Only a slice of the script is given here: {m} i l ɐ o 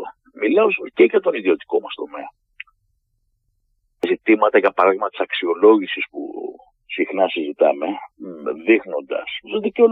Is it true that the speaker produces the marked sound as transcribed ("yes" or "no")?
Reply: yes